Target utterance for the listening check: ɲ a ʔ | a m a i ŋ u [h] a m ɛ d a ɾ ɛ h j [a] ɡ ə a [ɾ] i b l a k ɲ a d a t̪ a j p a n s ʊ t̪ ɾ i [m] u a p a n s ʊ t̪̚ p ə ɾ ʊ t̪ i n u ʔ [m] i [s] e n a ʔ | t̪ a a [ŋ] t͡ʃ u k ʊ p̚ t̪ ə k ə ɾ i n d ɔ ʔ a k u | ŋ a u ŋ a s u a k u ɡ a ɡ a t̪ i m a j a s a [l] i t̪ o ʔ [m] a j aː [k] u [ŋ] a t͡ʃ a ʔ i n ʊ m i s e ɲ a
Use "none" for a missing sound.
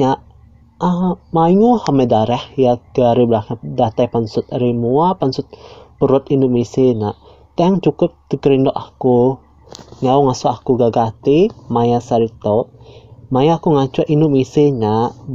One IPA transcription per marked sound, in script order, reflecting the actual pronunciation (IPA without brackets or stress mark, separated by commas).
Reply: h, a, ɾ, m, m, s, ŋ, ɾ, m, k, ŋ